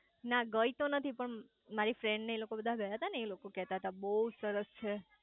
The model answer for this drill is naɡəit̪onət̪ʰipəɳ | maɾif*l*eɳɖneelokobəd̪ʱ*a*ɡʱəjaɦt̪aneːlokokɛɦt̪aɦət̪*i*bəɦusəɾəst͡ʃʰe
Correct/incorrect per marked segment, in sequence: incorrect: ɾ, correct, incorrect: a

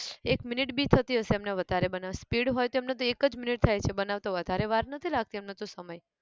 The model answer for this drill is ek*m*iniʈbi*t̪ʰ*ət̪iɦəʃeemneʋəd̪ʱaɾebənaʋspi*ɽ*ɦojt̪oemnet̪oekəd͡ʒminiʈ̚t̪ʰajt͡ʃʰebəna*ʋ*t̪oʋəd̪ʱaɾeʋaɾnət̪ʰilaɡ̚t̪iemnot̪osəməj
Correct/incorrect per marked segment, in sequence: correct, correct, correct, correct

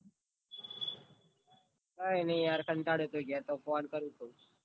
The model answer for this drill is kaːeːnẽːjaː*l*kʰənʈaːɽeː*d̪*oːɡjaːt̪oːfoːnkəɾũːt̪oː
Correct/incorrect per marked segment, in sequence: incorrect: ɾ, incorrect: t̪

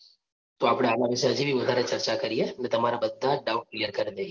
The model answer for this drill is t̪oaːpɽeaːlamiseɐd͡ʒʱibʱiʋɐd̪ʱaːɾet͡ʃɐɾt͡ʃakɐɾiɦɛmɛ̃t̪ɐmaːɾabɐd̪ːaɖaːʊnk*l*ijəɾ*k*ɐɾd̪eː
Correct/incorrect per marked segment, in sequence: correct, correct

